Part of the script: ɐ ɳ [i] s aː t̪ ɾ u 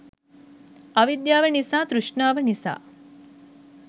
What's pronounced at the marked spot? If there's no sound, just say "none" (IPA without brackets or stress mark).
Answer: i